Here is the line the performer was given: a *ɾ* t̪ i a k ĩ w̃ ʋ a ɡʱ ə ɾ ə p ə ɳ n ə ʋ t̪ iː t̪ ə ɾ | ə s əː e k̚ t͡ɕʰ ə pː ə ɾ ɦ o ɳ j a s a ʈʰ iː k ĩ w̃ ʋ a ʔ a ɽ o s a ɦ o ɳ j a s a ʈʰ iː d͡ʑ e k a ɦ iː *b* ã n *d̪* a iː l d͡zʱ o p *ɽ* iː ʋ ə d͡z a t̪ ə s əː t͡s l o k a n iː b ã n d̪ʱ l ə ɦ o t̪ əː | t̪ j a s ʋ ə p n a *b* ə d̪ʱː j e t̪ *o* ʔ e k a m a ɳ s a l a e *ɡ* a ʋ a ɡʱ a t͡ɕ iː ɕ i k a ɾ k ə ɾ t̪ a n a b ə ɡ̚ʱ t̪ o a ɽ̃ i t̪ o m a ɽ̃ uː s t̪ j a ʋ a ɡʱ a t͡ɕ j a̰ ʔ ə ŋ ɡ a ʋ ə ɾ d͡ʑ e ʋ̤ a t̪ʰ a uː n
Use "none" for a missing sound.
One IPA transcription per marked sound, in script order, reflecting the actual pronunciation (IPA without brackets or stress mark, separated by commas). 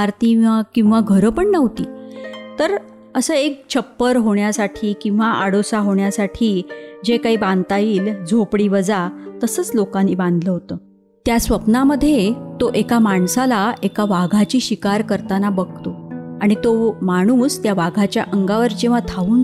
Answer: ɾ, b, t̪, ɽ, m, o, k